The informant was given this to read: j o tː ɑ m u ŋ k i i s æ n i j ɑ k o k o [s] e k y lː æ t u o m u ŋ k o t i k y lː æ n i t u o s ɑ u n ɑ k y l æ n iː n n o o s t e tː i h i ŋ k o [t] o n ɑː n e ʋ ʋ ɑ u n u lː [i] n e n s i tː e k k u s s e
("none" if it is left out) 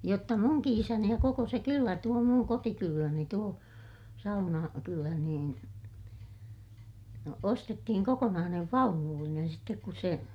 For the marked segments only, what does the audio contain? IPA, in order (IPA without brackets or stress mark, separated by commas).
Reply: s, k, i